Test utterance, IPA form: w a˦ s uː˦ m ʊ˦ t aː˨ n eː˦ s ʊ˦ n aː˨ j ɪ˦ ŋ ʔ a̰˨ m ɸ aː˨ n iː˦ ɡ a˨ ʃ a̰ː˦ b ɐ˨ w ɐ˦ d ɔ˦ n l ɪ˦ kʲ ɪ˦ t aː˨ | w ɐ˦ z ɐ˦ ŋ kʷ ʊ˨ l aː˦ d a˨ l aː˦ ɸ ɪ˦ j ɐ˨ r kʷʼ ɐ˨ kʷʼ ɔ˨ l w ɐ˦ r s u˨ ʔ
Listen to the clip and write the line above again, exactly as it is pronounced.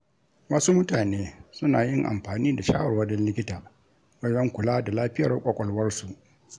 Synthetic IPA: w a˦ s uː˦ m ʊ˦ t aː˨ n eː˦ s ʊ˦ n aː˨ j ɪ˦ ŋ ʔ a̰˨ m ɸ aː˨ n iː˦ d a˨ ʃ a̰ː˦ w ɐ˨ w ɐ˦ d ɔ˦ n l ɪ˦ kʲ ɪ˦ t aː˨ | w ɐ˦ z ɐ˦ ŋ kʷ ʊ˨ l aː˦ d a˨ l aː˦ ɸ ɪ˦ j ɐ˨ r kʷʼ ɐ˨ kʷʼ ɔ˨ l w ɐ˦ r s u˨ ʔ